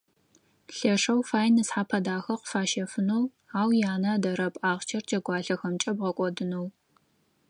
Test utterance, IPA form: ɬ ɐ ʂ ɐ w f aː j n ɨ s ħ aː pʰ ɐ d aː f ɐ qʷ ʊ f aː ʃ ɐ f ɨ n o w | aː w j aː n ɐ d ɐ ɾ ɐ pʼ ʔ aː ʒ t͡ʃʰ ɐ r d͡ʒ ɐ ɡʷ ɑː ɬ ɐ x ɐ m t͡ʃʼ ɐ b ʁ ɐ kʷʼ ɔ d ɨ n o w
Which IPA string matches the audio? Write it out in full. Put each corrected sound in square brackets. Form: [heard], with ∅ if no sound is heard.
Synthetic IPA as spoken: ɬ ɐ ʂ ɐ w f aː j n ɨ s ħ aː pʰ ɐ d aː [x] ɐ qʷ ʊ f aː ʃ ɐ f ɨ n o w | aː w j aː n ɐ d ɐ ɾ ɐ pʼ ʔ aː [ʁ] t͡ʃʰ ɐ r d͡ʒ ɐ ɡʷ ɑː ɬ ɐ x ɐ m t͡ʃʼ ɐ b ʁ ɐ kʷʼ ɔ d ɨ n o w